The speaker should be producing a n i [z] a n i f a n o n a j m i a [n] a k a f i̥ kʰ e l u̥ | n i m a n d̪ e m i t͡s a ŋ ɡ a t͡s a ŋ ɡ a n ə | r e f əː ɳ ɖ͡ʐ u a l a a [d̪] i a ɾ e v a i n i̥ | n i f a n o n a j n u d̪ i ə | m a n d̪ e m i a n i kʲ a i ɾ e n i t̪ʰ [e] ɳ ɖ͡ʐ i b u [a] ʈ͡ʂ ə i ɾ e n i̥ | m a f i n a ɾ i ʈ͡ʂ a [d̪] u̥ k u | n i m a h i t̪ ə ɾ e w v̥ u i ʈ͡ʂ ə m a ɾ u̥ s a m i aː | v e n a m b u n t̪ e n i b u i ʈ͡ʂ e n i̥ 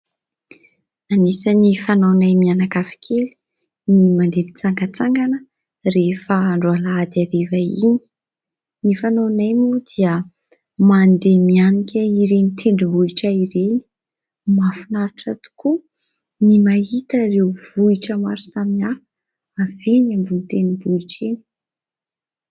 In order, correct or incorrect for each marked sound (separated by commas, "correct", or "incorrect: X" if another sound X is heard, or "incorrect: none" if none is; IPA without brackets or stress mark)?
incorrect: s, correct, correct, correct, incorrect: i, incorrect: t̪